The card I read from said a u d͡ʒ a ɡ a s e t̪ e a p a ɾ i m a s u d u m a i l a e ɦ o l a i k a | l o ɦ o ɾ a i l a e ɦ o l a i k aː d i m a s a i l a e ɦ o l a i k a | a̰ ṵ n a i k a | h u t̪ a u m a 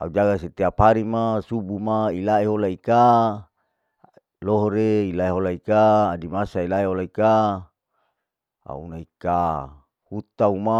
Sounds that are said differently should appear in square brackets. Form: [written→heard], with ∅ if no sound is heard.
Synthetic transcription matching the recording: a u d͡ʒ a ɡ a s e t̪ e a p a ɾ i m a s u [d→b] u m a i l a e ɦ o l a i k a | l o ɦ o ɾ [a→e] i l a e ɦ o l a i k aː d i m a s a i l a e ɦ o l a i k a | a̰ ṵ n a i k a | h u t̪ a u m a

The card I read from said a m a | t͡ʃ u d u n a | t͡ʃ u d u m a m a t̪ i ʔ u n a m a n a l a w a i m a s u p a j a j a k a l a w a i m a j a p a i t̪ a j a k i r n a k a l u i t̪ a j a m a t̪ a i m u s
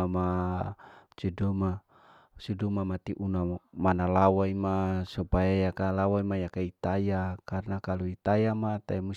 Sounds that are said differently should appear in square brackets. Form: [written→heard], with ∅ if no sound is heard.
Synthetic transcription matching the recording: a m a | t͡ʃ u d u [n→m] a | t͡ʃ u d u m a m a t̪ i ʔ u n a m a n a l a w a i m a s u p a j a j a k a l a w a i m a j a [p→k] a i t̪ a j a k [i→a] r n a k a l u i t̪ a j a m a t̪ a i m u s

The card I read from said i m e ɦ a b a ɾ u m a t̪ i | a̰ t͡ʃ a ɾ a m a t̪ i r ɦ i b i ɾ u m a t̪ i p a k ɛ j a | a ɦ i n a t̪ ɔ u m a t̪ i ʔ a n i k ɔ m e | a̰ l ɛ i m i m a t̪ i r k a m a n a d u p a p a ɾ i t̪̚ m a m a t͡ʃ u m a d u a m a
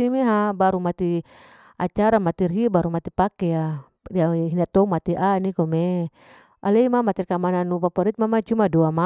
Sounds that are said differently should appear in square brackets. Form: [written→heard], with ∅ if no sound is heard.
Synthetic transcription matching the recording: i m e ɦ a b a ɾ u m a t̪ i | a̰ t͡ʃ a ɾ a m a t̪ i r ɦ i b [i→a] ɾ u m a t̪ i p a k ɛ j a | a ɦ i n a t̪ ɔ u m a t̪ i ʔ a n i k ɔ m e | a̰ l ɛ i m [i→a] m a t̪ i r k a m a n a [d→n] u p a p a ɾ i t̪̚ m a m a t͡ʃ u m a d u a m a

